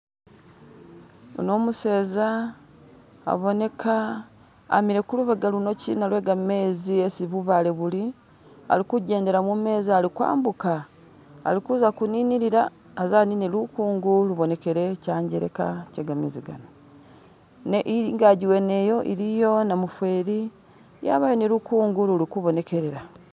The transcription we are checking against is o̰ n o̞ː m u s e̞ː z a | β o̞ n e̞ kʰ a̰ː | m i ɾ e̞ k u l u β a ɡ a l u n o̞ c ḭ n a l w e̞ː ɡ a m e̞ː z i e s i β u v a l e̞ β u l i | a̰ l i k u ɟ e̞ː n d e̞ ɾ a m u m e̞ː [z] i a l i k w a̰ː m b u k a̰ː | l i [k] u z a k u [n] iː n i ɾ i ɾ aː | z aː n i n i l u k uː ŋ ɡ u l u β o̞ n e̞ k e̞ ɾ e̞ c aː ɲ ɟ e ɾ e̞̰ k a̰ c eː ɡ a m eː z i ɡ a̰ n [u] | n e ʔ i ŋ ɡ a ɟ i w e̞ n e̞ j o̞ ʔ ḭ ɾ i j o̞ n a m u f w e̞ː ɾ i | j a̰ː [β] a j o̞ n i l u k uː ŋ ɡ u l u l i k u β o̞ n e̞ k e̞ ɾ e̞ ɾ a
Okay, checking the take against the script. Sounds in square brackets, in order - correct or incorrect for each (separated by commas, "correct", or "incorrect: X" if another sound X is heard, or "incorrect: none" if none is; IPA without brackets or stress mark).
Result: correct, correct, correct, incorrect: o, correct